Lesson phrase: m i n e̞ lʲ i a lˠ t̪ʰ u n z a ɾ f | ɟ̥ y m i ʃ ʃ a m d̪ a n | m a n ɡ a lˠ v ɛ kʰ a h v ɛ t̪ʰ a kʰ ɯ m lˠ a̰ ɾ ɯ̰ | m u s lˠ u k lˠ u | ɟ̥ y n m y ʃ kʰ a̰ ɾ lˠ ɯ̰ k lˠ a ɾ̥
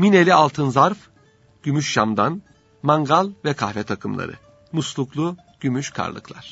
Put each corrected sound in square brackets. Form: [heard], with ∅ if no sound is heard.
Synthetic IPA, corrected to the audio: m i n e̞ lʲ i a lˠ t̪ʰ [ɯ] n z a ɾ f | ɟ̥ y m [y] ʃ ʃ a m d̪ a n | m a [ŋ] ɡ a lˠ v ɛ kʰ a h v ɛ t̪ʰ a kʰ ɯ m lˠ a̰ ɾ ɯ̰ | m u s lˠ u k lˠ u | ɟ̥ y [∅] m y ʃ kʰ a̰ ɾ lˠ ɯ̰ k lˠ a ɾ̥